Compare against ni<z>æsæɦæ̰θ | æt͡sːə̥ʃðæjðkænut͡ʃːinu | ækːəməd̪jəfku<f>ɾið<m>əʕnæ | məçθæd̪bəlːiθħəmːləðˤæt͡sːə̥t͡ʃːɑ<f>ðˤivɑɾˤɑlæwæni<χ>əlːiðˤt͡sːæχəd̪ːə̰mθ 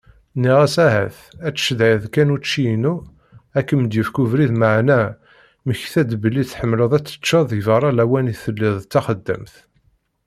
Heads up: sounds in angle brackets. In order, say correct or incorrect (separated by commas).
incorrect, incorrect, correct, incorrect, incorrect